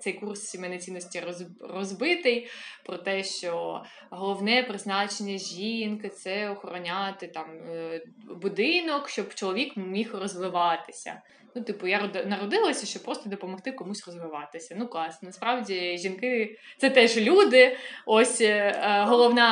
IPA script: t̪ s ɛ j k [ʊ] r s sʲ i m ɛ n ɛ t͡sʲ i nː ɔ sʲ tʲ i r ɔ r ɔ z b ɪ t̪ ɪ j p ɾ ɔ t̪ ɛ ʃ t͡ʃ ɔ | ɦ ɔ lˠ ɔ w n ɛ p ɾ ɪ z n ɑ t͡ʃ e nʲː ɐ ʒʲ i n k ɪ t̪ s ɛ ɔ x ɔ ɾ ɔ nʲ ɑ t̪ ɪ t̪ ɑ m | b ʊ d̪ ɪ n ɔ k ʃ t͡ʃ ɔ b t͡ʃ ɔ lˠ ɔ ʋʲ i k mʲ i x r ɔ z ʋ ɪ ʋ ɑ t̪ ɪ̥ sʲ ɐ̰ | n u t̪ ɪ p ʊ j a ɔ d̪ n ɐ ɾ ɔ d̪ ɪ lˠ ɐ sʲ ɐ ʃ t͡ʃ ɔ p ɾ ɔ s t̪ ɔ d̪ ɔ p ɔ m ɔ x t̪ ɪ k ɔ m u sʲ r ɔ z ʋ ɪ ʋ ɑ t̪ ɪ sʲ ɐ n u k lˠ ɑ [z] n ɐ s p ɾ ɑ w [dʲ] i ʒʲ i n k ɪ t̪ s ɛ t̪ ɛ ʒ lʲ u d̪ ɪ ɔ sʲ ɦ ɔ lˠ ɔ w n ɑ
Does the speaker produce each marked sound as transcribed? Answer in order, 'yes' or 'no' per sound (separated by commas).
no, no, yes